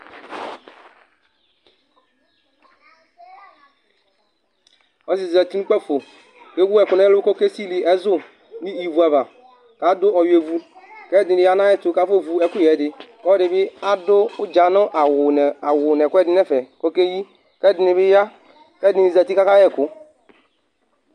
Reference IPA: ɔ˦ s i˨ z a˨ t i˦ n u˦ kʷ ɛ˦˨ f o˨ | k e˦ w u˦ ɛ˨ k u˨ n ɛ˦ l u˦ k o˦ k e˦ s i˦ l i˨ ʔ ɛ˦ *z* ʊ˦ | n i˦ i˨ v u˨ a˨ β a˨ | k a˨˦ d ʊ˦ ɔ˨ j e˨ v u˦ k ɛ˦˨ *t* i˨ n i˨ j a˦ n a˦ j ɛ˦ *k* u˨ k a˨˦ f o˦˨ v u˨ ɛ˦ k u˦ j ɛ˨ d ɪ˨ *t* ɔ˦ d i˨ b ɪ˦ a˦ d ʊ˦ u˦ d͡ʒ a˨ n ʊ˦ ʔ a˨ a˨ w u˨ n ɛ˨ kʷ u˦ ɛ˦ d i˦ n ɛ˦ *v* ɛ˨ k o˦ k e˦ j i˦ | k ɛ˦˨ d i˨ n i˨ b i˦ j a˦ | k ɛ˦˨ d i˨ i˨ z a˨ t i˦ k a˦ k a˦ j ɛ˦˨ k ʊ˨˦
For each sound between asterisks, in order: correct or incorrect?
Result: correct, incorrect, incorrect, incorrect, incorrect

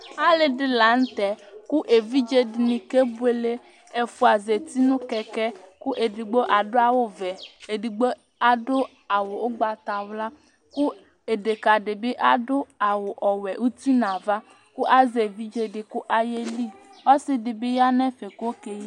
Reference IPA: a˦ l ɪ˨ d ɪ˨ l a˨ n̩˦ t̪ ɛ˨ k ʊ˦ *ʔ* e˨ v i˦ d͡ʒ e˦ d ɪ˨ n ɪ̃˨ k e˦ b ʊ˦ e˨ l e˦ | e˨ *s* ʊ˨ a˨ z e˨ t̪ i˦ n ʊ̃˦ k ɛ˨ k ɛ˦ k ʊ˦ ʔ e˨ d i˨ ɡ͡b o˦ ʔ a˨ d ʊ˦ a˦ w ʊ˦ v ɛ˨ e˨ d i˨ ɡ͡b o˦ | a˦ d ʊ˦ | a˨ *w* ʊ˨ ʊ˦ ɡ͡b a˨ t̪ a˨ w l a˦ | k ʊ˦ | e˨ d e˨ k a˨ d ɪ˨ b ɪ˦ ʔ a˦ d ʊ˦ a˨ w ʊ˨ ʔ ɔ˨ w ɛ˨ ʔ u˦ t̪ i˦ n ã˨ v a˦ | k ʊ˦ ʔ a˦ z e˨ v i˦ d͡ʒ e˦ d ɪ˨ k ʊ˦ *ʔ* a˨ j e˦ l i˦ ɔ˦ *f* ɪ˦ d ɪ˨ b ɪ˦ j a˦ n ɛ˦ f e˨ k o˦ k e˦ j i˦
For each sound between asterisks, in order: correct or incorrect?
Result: correct, incorrect, correct, correct, incorrect

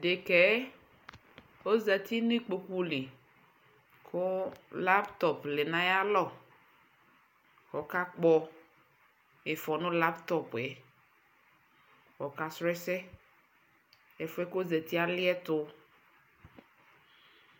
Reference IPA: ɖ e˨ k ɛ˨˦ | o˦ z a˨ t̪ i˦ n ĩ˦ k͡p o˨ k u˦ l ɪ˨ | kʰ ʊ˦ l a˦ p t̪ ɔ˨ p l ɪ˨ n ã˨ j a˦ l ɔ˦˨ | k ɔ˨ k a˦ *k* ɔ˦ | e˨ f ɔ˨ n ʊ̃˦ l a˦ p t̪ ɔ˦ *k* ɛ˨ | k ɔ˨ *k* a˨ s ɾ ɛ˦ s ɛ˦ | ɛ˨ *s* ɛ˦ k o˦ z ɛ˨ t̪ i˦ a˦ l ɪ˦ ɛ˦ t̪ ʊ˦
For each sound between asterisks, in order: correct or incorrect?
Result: incorrect, incorrect, correct, incorrect

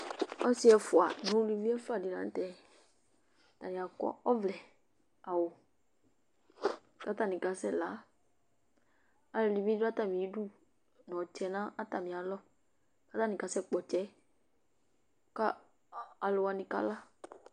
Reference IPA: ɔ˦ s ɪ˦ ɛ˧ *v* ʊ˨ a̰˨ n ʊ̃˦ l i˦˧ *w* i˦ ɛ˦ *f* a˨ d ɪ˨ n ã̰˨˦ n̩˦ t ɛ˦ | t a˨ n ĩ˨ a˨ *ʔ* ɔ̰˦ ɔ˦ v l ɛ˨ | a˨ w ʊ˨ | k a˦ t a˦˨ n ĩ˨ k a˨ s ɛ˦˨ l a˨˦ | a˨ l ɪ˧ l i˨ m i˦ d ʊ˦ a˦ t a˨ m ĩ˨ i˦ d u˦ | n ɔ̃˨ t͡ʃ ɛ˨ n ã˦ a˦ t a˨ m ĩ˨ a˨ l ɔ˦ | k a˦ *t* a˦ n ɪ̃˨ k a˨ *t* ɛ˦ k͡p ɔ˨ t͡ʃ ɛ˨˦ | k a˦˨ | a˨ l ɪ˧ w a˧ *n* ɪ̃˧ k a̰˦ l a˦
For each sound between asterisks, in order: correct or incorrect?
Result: incorrect, incorrect, correct, incorrect, correct, incorrect, correct

